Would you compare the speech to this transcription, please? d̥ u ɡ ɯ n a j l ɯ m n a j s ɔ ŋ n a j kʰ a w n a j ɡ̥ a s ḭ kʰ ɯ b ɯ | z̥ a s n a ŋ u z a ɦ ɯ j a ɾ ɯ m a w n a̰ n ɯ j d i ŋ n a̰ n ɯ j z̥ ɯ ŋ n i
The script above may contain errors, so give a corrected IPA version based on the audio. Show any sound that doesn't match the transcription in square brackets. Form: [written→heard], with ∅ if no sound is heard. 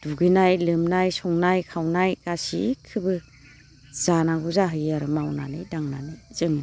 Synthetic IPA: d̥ u ɡ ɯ n a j l ɯ m n a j s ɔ ŋ n a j kʰ a w n a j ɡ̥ a s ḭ kʰ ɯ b ɯ | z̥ a [s→∅] n a [ŋ→ɡ] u z a ɦ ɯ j a ɾ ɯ m a w n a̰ n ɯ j d [i→a] ŋ n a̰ n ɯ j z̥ ɯ ŋ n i